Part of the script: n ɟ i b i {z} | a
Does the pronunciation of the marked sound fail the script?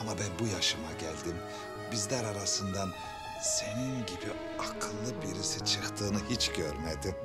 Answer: yes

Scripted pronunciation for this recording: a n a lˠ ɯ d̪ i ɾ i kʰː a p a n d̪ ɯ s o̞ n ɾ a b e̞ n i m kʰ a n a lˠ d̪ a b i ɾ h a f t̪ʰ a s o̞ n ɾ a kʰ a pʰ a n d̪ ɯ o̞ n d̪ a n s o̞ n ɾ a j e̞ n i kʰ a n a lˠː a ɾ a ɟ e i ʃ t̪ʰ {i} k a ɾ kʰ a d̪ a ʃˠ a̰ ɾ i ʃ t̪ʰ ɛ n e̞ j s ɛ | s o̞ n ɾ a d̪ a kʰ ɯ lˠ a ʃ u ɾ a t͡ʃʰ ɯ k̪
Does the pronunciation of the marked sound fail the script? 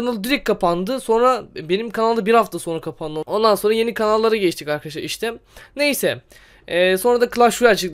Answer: no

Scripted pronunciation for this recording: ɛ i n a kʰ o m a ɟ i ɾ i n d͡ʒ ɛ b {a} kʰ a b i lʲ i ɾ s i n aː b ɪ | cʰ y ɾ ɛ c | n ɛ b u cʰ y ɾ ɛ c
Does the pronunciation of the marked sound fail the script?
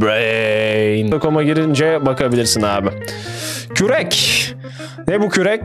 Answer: no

